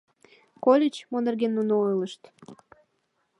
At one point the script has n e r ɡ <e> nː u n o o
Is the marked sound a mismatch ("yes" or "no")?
no